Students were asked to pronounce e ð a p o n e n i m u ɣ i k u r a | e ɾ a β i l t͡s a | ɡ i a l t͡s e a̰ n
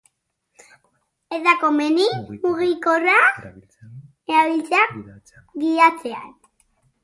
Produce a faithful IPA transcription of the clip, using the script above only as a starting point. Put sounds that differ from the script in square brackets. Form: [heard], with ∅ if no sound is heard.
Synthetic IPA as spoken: e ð a [k] o [m] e n i m u ɣ i k [o] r a | e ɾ a β i l t͡s a | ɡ i a [∅] t͡s e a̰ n